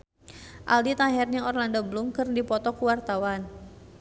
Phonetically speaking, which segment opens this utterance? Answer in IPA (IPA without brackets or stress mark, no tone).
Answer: ʔ